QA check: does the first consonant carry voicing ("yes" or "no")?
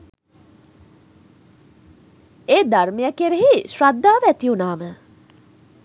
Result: yes